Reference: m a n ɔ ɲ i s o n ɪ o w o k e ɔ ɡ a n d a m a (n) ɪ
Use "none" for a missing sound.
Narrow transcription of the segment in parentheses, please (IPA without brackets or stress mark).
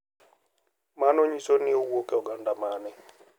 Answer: n